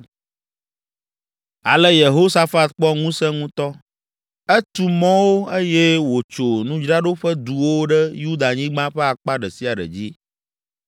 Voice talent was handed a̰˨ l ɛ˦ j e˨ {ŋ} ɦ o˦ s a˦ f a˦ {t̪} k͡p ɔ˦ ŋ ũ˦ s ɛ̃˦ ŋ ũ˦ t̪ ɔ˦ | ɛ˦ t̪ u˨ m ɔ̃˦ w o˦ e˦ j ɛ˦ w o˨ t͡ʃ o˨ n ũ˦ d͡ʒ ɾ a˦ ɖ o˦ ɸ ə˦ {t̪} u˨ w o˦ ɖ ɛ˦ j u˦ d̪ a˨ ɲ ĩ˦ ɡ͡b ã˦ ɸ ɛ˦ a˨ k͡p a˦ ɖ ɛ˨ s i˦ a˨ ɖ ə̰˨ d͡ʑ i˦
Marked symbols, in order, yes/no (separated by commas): no, yes, no